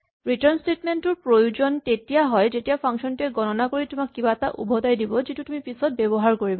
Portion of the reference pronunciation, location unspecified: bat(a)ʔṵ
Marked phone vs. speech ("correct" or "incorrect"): correct